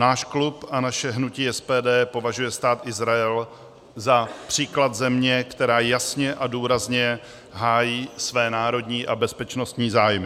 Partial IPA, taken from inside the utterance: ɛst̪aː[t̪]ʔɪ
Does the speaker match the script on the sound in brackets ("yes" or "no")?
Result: yes